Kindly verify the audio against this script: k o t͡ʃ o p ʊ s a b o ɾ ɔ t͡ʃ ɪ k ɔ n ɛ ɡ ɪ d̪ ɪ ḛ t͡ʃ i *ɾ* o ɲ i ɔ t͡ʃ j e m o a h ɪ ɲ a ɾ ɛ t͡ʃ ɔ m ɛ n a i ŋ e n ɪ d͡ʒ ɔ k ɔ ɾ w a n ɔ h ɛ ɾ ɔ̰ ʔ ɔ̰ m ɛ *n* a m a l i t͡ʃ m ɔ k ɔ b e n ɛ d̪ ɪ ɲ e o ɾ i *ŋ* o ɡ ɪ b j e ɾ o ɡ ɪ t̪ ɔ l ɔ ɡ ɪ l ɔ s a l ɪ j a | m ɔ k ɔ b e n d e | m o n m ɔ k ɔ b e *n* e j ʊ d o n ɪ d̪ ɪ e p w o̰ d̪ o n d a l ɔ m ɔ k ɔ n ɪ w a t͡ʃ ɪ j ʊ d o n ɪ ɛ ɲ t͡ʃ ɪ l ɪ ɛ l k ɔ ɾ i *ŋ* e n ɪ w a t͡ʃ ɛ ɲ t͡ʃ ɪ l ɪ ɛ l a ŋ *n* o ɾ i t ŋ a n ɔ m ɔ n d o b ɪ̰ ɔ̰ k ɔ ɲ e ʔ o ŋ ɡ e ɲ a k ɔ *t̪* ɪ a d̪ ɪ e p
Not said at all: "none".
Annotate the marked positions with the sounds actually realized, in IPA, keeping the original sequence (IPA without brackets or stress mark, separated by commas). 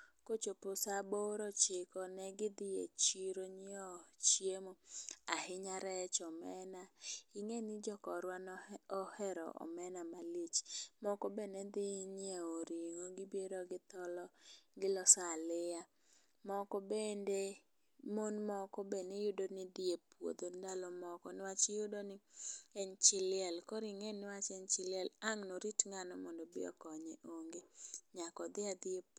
ɾ, n, ŋ, n, ŋ, n, d̪